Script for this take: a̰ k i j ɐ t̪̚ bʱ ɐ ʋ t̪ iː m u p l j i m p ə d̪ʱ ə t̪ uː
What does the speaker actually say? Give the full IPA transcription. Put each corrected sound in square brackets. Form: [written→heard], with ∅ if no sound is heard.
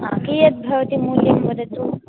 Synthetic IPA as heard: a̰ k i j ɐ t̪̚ bʱ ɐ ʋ t̪ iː m u [p→∅] l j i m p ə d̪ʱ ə t̪ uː